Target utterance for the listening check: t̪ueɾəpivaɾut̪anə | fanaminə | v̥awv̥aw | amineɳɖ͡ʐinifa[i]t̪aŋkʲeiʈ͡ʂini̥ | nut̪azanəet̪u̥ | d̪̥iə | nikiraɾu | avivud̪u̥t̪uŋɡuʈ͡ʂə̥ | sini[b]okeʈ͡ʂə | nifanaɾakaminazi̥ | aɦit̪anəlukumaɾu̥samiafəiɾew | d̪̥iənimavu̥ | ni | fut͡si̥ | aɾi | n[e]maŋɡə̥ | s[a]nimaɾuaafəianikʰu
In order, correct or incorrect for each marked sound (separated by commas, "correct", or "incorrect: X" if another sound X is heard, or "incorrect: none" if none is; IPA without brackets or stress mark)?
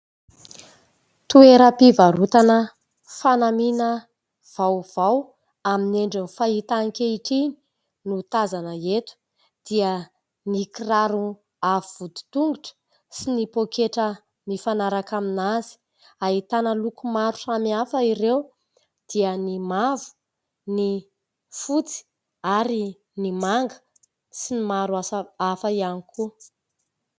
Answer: correct, incorrect: p, incorrect: i, incorrect: i